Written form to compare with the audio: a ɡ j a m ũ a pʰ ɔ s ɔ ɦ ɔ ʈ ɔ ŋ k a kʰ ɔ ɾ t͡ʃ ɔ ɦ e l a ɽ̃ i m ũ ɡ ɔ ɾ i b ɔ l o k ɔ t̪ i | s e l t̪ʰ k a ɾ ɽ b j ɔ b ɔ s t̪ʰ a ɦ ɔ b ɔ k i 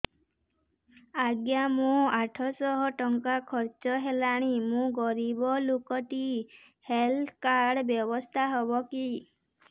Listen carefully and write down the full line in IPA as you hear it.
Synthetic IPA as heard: a ɡ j a m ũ a ʈʰ ɔ s ɔ ɦ ɔ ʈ ɔ ŋ k a kʰ ɔ ɾ t͡ʃ ɔ ɦ e l a ɽ̃ i m ũ ɡ ɔ ɾ i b ɔ l o k ɔ t̪ i | h e l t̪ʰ k a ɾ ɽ b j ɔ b ɔ s t̪ʰ a ɦ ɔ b ɔ k i

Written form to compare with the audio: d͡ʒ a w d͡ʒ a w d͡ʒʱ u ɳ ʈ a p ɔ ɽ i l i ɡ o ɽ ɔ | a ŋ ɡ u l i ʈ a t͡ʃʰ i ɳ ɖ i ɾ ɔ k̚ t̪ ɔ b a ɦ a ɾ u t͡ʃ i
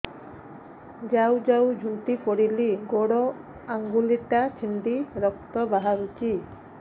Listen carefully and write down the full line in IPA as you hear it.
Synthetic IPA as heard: d͡ʒ a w d͡ʒ a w d͡ʒʱ u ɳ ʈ i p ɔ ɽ i l i ɡ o ɽ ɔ | a ŋ ɡ u l i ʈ a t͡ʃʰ i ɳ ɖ i ɾ ɔ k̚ t̪ ɔ b a ɦ a ɾ u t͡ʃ i

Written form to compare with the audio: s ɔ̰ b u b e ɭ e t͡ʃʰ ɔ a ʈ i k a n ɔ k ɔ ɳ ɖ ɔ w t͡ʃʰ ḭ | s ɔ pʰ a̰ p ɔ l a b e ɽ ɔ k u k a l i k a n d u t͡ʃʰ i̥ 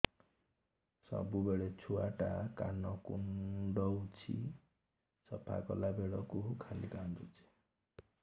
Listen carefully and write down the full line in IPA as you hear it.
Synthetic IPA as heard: s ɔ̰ b u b e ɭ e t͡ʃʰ u a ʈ a k a n ɔ k u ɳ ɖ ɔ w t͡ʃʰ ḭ | s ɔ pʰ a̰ k ɔ l a b e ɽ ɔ k u kʰ a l i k a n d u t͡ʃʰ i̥

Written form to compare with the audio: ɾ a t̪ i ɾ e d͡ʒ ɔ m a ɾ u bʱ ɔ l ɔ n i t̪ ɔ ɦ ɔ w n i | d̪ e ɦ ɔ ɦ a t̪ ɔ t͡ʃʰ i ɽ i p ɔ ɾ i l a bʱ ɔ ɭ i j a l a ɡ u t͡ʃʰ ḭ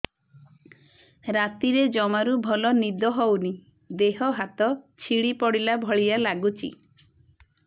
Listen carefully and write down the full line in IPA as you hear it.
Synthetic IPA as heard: ɾ a t̪ i ɾ e d͡ʒ ɔ m a ɾ u bʱ ɔ l ɔ n i d̪ ɔ ɦ ɔ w n i | d̪ e ɦ ɔ ɦ a t̪ ɔ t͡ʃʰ i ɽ i p ɔ ɽ i l a bʱ ɔ ɭ i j a l a ɡ u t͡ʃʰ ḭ

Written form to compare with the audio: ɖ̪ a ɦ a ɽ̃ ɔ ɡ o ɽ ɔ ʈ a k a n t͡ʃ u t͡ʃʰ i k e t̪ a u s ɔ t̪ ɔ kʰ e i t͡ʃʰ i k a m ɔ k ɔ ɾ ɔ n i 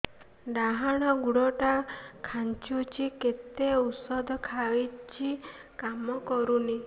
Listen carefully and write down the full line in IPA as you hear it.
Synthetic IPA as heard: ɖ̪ a ɦ a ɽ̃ ɔ ɡ u ɽ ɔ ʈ a kʰ a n t͡ʃ u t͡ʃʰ i k e t̪ e u s ɔ d̪ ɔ kʰ a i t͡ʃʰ i k a m ɔ k ɔ ɾ u n i

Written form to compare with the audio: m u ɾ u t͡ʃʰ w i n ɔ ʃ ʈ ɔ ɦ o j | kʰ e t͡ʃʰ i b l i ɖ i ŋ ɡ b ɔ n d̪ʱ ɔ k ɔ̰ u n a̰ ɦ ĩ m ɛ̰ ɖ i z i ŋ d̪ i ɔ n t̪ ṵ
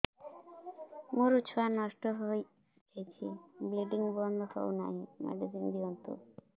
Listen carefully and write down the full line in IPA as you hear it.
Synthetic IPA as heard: m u ɾ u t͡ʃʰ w a n ɔ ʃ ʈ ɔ ɦ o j | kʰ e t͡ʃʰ i b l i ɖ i ŋ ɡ b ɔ n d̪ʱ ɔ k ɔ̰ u n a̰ ɦ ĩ m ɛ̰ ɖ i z i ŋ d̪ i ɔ n t̪ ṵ

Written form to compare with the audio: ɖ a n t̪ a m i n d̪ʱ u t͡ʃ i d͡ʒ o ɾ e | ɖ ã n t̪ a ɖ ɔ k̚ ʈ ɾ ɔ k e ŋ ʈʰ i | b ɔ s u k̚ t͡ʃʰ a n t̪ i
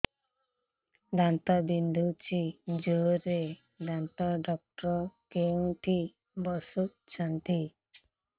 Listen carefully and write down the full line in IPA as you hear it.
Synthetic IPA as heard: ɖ a n t̪ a b i n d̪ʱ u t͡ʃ i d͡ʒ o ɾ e | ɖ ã n t̪ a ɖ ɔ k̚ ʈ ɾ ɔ k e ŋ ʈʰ i | b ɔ s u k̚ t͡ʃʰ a n t̪ i

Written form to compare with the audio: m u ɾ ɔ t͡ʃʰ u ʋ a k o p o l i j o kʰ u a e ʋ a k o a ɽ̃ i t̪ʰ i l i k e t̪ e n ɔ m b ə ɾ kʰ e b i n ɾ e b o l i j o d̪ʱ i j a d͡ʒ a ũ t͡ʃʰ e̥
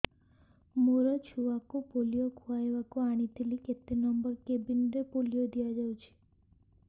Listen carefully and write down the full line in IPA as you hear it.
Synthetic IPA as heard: m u ɾ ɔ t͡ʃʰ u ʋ a k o p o l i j o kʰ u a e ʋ a k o a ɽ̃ i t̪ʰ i l i k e t̪ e n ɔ m b ə ɾ k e b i n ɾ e p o l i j o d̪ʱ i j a d͡ʒ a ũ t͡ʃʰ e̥

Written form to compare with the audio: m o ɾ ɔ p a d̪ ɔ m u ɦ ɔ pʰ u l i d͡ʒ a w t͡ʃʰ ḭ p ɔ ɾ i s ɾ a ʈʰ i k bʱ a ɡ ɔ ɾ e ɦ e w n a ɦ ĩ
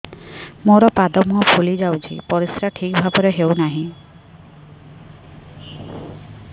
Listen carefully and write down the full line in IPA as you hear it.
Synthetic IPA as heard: m o ɾ ɔ p a d̪ ɔ m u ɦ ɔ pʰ u l i d͡ʒ a w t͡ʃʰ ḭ p ɔ ɾ i s ɾ a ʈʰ i k bʱ a b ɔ ɾ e ɦ e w n a ɦ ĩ

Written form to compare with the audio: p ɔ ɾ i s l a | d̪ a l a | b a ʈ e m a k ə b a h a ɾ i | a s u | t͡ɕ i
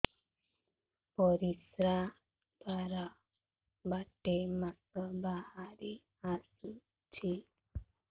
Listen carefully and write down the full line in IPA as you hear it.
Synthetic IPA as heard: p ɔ ɾ i s ɾ a | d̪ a ɾ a | b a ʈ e m a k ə b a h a ɾ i | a s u | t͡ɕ i

